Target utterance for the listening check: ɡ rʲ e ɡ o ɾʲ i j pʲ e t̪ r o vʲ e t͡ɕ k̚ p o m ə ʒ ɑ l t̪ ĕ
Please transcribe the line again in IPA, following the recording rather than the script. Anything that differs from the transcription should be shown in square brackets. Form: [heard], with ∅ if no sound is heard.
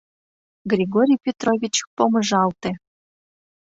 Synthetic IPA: ɡ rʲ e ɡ o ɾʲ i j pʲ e t̪ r o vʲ [i] t͡ɕ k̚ p o m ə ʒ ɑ l t̪ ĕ